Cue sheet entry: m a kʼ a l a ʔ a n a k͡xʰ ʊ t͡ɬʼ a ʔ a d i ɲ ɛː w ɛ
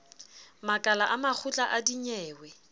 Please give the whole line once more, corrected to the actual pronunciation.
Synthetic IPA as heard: m a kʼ a l a ʔ a m a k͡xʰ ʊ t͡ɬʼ a ʔ a d i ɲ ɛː w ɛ